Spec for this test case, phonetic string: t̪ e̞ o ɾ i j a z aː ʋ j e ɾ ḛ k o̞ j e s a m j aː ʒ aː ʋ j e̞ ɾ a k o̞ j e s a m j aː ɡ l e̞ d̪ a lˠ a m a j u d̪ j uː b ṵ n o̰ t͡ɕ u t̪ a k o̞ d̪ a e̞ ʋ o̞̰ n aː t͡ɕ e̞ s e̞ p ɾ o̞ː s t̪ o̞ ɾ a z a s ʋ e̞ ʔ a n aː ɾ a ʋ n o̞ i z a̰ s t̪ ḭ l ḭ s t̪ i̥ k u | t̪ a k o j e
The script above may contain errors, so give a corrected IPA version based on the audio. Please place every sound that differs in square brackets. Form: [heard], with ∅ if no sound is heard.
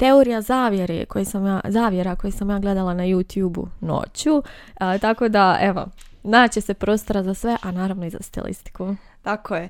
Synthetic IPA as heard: t̪ e̞ o ɾ i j a z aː ʋ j e ɾ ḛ k o̞ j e s a m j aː [z] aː ʋ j e̞ ɾ a k o̞ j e s a m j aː ɡ l e̞ d̪ a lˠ a [n] a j u [t̪] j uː b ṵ n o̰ t͡ɕ u t̪ a k o̞ d̪ a e̞ ʋ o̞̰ n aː t͡ɕ e̞ s e̞ p ɾ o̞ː s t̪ o̞ ɾ a z a s ʋ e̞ ʔ a n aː ɾ a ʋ n o̞ i z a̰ s t̪ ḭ l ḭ s t̪ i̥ k u | t̪ a k o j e